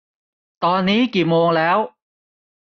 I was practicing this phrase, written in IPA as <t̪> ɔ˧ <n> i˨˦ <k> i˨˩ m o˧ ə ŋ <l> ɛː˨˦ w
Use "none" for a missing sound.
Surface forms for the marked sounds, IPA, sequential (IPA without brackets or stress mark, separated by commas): t̪, n, k, l